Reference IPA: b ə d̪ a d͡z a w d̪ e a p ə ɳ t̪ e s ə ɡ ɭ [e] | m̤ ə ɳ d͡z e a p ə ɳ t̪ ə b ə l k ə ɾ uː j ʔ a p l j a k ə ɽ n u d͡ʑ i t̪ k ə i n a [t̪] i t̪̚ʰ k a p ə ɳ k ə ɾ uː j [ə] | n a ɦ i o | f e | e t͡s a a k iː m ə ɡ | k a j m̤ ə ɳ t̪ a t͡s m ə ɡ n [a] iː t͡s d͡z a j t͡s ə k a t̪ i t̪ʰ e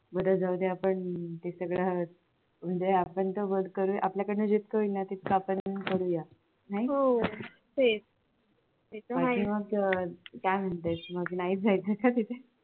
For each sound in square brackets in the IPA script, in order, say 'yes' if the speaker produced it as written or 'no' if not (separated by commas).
no, yes, no, yes